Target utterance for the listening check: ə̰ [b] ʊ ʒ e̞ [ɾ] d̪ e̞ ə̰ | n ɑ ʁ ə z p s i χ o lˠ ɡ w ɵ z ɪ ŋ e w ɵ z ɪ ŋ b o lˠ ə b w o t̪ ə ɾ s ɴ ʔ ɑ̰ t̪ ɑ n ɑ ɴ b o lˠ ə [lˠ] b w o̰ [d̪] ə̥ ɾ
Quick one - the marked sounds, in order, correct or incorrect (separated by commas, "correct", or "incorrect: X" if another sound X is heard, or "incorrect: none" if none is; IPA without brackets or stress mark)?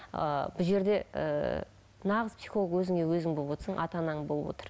correct, correct, incorrect: none, incorrect: t̪